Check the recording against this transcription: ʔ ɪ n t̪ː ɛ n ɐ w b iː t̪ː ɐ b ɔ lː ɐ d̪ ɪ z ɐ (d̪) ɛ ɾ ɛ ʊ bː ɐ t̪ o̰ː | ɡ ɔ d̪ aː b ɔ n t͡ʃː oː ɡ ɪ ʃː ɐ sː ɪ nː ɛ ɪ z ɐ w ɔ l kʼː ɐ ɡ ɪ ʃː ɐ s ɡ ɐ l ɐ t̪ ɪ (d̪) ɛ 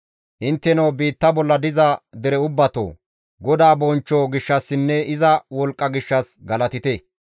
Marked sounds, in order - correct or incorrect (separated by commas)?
correct, incorrect